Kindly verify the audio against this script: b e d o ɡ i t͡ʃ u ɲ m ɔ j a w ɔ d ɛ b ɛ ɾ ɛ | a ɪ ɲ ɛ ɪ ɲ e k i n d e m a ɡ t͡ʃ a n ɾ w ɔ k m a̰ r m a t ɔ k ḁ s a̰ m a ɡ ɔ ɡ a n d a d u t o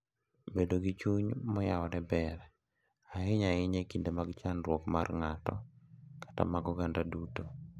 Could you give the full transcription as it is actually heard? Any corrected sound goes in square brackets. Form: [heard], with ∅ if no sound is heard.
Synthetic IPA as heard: b e d o ɡ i t͡ʃ u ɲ m ɔ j a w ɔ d ɛ b ɛ ɾ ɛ | a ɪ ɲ [a] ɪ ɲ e k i n d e m a ɡ t͡ʃ a n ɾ w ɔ k m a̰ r [ŋ] a t ɔ k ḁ [t] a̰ m a ɡ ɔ ɡ a n d a d u t o

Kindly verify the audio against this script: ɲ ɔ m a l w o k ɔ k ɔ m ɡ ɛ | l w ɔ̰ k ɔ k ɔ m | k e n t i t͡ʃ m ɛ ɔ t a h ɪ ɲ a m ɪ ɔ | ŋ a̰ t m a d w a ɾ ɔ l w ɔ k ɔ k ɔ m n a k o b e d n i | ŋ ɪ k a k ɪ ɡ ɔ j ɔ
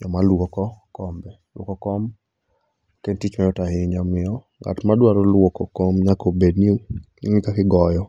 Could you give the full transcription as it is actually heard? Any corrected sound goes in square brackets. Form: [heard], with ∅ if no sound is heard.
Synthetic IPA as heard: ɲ ɔ m a l w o k ɔ k ɔ m [b] ɛ | l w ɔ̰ k ɔ k ɔ m | k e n t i t͡ʃ m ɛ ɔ t a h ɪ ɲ a m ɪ ɔ | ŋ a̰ t m a d w a ɾ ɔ l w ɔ k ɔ k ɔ m [ɲ] a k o b e d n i | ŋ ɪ k a k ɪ ɡ ɔ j ɔ

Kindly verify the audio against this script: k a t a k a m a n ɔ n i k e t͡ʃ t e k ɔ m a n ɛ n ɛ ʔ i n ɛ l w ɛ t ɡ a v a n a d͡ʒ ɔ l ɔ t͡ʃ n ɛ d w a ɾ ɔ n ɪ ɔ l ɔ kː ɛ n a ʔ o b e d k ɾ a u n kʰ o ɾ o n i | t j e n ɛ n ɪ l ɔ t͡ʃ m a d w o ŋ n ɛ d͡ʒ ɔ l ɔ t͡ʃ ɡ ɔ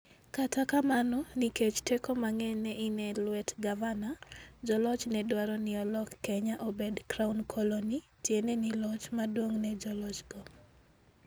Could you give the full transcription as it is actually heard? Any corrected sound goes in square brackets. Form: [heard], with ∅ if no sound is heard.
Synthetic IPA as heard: k a t a k a m a n ɔ n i k e t͡ʃ t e k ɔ m a [ŋ] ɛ n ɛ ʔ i n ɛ l w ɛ t ɡ a v a n a d͡ʒ ɔ l ɔ t͡ʃ n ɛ d w a ɾ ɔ n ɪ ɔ l ɔ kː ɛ [ɲ] a ʔ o b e d k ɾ a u n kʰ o [l] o n i | t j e n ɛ n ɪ l ɔ t͡ʃ m a d w o ŋ n ɛ d͡ʒ ɔ l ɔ t͡ʃ ɡ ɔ

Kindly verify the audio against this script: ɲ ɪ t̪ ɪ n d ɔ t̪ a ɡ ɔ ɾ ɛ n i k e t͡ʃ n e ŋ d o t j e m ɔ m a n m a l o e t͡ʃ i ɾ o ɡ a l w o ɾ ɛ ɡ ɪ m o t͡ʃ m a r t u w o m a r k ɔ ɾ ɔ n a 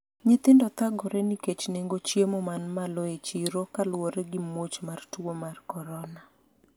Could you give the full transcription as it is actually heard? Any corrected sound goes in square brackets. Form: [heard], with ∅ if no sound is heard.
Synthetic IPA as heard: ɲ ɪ t̪ ɪ n d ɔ t̪ a ɡ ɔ ɾ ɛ n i k e t͡ʃ n e ŋ [ɡ] o [t͡ʃ] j e m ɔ m a n m a l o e t͡ʃ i ɾ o [k] a l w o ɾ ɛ ɡ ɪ m o t͡ʃ m a r t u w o m a r k ɔ ɾ ɔ n a

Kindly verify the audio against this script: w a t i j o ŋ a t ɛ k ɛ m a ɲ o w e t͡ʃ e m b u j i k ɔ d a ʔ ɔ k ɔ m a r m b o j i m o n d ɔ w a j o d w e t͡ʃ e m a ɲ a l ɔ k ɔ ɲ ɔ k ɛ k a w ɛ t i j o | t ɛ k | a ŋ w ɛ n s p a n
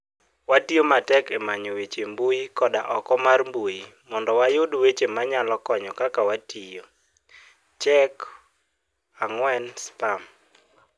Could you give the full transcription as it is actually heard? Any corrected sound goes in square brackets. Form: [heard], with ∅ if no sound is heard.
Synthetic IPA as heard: w a t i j o [m] a t ɛ k ɛ m a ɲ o w e t͡ʃ e m b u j i k ɔ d a ʔ ɔ k ɔ m a r m b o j i m [ɔ] n d ɔ w a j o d w e t͡ʃ e m a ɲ a l ɔ k ɔ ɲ ɔ k [a] k a w [a] t i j o | [t͡ʃ] ɛ k | a ŋ w ɛ n s p a [m]

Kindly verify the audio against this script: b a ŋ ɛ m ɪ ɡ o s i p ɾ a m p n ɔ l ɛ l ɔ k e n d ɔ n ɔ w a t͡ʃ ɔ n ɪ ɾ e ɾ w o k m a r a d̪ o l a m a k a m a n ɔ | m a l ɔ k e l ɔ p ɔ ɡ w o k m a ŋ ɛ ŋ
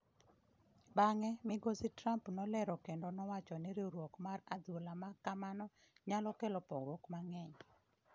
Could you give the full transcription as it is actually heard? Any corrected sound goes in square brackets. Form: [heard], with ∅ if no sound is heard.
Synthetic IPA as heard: b a ŋ ɛ m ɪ ɡ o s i [t] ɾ a m p n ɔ l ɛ [ɾ] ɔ k e n d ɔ n ɔ w a t͡ʃ ɔ n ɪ ɾ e ɾ w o k m a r a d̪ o l a m a k a m a n ɔ | [ɲ] a l ɔ k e l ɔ p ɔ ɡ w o k m a ŋ ɛ [ɲ]

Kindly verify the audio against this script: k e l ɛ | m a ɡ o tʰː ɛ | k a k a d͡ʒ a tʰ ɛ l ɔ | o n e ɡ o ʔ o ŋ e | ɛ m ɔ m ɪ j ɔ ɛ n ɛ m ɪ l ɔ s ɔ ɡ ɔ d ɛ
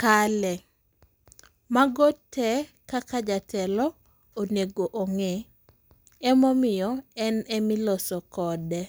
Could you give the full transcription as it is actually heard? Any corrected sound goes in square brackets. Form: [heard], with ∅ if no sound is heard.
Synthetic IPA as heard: k [a] l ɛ | m a ɡ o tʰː ɛ | k a k a d͡ʒ a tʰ ɛ l ɔ | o n e ɡ o ʔ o ŋ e | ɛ m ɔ m ɪ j ɔ ɛ n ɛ m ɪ l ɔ s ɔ [k] ɔ d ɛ

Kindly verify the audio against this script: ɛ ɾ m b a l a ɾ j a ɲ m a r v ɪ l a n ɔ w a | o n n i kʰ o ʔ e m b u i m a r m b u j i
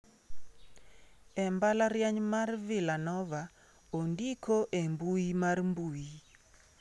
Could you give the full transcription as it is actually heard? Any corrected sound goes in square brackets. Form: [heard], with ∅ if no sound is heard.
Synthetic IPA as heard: ɛ [∅] m b a l a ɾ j a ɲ m a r v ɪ l a n ɔ [v] a | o n [d] i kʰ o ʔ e m b u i m a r m b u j i

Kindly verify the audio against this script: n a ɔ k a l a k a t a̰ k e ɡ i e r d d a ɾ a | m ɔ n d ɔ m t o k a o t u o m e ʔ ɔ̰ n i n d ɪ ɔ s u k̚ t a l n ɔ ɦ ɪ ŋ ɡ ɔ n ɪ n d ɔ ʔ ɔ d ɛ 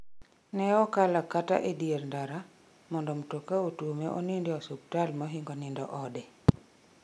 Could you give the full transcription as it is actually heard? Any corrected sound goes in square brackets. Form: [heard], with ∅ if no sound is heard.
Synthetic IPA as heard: n [ɛ] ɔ k a l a k a t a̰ [ʔ] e [d] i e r [n] d a ɾ a | m ɔ n d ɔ m t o k a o t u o m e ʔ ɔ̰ n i n d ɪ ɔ s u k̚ t a l [m] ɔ ɦ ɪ ŋ ɡ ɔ n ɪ n d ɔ ʔ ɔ d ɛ

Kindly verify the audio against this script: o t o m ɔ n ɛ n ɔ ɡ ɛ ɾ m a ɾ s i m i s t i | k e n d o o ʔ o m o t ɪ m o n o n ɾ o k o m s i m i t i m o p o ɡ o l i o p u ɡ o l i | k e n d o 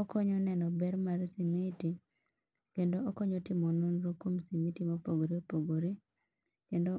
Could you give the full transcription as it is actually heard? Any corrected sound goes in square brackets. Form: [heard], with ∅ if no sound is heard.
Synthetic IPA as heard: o [k] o [ɲ] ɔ n ɛ n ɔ [b] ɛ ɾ m a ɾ s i m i [∅] t i | k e n d o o [k] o [ɲ] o t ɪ m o n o n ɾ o k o m s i m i t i m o p o ɡ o [ɾ] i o p [o] ɡ o [ɾ] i | k e n d o

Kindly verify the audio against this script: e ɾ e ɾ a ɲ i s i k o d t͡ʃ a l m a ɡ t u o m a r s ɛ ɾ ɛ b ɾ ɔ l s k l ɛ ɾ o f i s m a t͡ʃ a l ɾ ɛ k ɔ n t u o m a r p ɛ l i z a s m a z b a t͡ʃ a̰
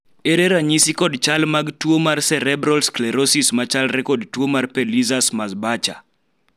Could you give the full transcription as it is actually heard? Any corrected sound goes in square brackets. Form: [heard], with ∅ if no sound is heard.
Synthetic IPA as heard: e ɾ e ɾ a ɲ i s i k [ɔ] d t͡ʃ a l m a ɡ t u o m a r s ɛ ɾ ɛ b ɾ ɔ l s k l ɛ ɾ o [s] i s m a t͡ʃ a l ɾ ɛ k ɔ [d] t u o m a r p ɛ l i z a s m a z b a t͡ʃ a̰

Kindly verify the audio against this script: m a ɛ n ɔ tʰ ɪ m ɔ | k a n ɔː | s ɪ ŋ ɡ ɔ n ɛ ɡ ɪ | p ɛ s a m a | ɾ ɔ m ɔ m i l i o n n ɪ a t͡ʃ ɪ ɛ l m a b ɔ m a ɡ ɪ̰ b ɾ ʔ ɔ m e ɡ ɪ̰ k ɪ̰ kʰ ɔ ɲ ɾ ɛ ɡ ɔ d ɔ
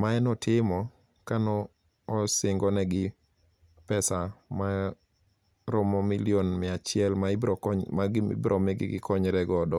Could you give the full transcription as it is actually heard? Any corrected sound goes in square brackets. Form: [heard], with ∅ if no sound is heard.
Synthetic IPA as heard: m a ɛ n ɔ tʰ ɪ m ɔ | k a n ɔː | s ɪ ŋ ɡ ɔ n ɛ ɡ ɪ | p ɛ s a m a | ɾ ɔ m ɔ m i l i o n [m] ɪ a t͡ʃ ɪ ɛ l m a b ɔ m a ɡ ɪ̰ b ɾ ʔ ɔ m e ɡ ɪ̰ [ɡ] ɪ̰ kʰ ɔ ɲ ɾ ɛ ɡ ɔ d ɔ

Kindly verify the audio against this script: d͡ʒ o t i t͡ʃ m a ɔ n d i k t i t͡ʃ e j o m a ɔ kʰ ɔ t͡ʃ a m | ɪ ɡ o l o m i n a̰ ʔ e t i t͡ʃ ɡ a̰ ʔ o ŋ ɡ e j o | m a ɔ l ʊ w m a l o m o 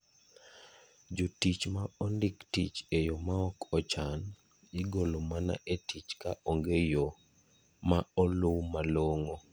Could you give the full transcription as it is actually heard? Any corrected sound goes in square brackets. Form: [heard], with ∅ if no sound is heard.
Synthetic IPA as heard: d͡ʒ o t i t͡ʃ m a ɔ n d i k t i t͡ʃ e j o m a ɔ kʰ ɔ t͡ʃ a [n] | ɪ ɡ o l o m [a] n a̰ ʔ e t i t͡ʃ [k] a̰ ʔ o ŋ ɡ e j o | m a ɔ l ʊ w m a l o [ŋ] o

